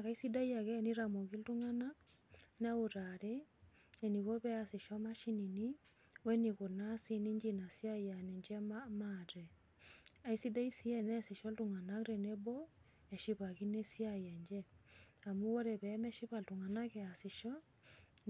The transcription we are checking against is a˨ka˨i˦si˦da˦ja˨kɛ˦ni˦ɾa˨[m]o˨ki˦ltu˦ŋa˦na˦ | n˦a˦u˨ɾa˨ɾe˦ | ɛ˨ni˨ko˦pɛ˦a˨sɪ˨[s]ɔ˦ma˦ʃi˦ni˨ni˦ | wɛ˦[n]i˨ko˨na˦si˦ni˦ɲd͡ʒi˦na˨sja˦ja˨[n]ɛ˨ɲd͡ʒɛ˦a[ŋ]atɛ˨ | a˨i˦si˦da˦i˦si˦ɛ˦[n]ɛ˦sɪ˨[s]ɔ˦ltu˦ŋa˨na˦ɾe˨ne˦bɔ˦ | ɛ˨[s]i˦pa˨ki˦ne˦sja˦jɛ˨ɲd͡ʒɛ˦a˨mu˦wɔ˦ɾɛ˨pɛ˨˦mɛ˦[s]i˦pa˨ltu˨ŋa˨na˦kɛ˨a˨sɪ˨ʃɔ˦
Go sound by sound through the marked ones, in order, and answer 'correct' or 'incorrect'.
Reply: correct, incorrect: ʃ, correct, correct, incorrect: m, correct, incorrect: ʃ, incorrect: ʃ, incorrect: ʃ

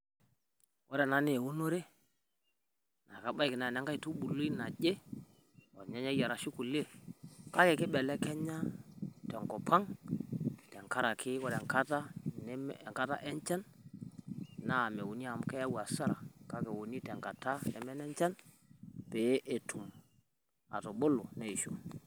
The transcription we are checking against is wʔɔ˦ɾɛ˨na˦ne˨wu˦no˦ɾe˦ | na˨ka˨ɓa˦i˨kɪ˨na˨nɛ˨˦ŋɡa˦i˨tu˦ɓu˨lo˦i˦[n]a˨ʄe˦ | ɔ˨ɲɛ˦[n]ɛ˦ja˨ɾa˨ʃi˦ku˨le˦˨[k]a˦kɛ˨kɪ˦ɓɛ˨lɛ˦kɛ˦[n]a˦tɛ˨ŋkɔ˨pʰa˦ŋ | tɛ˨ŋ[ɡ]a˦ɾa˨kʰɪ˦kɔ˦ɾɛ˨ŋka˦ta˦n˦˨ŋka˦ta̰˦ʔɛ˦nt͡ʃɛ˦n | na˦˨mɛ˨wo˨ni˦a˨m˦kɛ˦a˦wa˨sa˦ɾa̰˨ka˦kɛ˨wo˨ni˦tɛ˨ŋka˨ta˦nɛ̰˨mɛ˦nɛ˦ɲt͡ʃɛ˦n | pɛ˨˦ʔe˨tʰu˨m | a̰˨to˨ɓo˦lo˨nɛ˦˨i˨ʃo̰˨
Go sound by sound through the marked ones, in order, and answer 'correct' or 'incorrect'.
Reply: correct, incorrect: ɲ, correct, incorrect: ɲ, incorrect: k

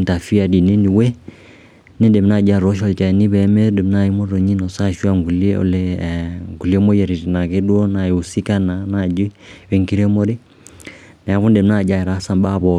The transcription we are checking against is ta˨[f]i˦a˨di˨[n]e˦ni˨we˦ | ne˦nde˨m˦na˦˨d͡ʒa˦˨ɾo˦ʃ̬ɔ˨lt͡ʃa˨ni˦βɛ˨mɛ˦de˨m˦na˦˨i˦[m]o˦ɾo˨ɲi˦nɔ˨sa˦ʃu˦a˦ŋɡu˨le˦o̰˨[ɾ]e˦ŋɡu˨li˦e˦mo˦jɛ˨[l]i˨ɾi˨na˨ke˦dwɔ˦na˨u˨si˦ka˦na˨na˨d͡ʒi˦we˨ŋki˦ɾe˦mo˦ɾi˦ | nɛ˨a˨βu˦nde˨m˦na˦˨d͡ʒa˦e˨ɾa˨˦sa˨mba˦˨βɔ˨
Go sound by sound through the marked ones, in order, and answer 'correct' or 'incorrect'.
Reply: correct, correct, correct, incorrect: l, incorrect: ɾ

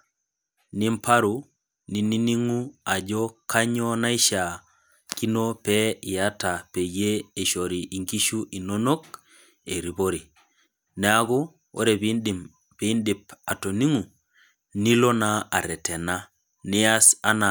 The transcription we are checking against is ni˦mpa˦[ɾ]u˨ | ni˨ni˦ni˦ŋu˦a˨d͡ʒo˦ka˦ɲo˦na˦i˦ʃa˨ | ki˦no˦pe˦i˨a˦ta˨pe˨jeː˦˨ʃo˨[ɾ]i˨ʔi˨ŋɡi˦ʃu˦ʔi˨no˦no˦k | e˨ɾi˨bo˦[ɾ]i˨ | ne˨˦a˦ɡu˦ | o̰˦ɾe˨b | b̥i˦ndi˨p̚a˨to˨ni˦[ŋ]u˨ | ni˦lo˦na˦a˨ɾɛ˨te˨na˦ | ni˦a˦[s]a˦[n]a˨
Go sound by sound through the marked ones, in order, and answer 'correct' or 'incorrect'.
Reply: correct, correct, correct, correct, correct, correct

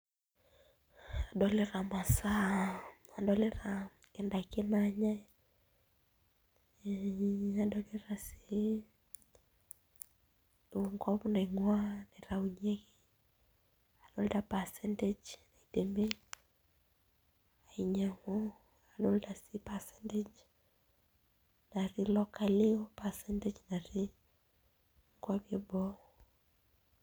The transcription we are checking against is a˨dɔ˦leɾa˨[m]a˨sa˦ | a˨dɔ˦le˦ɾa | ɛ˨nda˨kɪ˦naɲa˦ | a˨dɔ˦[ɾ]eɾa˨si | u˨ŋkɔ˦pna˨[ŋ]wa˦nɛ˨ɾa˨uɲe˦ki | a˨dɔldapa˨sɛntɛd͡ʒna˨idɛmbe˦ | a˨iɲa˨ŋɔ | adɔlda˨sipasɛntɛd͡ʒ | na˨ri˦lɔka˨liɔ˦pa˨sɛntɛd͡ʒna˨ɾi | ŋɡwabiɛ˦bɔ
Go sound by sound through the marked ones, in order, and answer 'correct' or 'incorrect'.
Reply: correct, incorrect: l, correct

